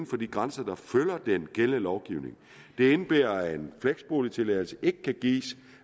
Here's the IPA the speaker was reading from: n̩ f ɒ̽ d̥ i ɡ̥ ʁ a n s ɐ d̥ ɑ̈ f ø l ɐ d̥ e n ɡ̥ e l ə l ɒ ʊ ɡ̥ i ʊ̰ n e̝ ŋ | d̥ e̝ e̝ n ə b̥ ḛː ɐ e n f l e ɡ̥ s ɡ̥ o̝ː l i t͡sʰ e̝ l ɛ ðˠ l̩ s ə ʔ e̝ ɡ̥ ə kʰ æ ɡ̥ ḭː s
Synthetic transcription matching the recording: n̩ f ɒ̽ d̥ i ɡ̥ ʁ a n s ɐ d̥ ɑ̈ f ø l ɐ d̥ e n ɡ̥ e l ə l ɒ ʊ ɡ̥ i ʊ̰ n e̝ ŋ | d̥ e̝ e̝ n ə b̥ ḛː ɐ e n f l e ɡ̥ s b̥ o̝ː l i t͡sʰ e̝ l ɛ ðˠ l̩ s ə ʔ e̝ ɡ̥ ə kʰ æ ɡ̥ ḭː s